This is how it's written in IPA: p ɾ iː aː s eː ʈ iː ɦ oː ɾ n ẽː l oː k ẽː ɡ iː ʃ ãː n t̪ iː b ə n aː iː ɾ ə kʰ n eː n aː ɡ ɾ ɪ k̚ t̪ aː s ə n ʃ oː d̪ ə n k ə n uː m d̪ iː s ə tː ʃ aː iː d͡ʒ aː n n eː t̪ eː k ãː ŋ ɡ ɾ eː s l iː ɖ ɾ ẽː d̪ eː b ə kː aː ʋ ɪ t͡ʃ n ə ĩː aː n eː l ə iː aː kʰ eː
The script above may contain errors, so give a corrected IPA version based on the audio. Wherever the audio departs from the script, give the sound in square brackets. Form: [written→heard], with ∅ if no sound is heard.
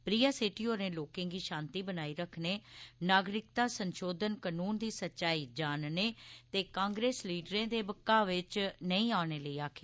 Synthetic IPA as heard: p ɾ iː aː s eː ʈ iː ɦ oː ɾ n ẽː l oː k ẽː ɡ iː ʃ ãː n t̪ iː b ə n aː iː ɾ ə kʰ n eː n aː ɡ ɾ ɪ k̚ t̪ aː s ə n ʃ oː d̪ ə n k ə n uː [m→n] d̪ iː s ə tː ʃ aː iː d͡ʒ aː n n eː t̪ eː k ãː ŋ ɡ ɾ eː s l iː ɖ ɾ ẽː d̪ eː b ə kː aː ʋ ɪ t͡ʃ n ə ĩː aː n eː l ə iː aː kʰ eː